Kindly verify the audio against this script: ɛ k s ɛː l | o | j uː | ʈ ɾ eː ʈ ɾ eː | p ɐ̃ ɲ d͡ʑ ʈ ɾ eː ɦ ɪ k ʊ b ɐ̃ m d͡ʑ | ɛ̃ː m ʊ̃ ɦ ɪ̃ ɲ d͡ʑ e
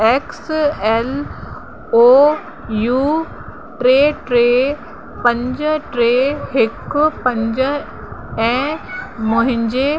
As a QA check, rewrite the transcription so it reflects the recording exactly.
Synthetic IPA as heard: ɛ k s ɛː l | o | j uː | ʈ ɾ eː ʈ ɾ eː | p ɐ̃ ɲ d͡ʑ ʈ ɾ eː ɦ ɪ k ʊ p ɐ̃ ɲ d͡ʑ | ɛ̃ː m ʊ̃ ɦ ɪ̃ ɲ d͡ʑ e